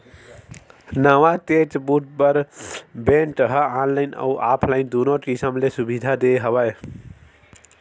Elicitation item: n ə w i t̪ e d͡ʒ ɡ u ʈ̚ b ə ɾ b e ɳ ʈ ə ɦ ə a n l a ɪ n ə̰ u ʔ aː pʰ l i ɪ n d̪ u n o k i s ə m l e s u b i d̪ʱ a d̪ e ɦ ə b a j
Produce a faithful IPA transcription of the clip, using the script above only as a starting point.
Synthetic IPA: n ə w a t̪ e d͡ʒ b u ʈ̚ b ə ɾ b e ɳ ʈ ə ɦ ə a n l a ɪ n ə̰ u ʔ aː pʰ l a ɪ n d̪ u n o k i s ə m l e s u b i d̪ʱ a d̪ e ɦ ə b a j